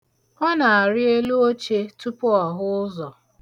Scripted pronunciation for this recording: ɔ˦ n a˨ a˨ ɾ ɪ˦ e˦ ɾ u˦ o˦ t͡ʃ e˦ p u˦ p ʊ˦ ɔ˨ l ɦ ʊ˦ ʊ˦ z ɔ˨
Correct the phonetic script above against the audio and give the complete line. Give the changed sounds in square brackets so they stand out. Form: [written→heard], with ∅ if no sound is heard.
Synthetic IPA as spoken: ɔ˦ n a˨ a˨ ɾ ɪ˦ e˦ [ɾ→l] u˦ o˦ t͡ʃ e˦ [p→t] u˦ p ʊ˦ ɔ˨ [l→∅] ɦ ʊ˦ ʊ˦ z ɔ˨